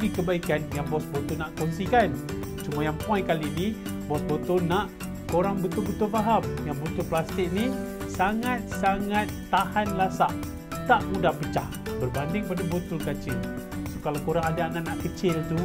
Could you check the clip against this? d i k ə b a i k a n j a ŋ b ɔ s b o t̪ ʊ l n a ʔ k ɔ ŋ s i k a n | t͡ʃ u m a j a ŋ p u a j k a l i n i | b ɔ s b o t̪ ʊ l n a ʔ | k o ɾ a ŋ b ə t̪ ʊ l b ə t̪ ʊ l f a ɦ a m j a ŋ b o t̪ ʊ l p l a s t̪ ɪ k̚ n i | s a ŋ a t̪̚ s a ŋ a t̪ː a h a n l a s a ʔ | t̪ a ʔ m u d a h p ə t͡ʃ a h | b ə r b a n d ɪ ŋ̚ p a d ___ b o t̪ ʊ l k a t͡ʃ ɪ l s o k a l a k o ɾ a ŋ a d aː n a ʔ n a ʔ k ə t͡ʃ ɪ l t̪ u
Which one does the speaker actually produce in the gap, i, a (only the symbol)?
a